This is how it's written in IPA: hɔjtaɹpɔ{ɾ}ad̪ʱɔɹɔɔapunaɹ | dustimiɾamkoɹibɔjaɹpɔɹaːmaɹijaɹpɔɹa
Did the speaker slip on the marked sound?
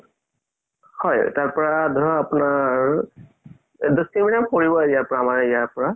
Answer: yes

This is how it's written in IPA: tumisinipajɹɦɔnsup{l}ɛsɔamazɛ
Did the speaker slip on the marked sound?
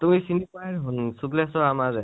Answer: no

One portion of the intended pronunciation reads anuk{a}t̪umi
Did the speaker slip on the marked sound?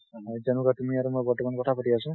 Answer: no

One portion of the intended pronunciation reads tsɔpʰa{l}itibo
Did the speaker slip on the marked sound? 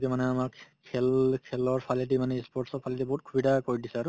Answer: no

